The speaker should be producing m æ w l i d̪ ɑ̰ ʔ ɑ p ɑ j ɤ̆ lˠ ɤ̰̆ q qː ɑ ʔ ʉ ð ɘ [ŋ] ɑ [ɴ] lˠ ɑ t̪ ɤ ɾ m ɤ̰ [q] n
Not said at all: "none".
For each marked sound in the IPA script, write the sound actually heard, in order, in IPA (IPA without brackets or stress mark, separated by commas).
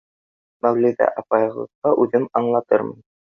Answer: m, ɴ, none